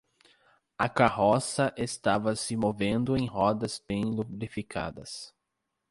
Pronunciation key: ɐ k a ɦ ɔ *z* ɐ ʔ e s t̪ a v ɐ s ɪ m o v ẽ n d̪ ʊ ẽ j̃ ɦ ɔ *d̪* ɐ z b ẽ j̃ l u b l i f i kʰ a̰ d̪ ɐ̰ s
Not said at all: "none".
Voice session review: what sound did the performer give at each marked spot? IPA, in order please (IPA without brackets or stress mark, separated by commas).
s, d̪